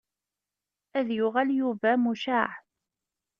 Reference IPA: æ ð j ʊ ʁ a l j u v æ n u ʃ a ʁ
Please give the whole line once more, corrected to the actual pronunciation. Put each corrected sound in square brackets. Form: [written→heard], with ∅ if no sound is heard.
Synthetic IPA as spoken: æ ð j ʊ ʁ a l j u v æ [n→m] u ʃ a [ʁ→ʕ]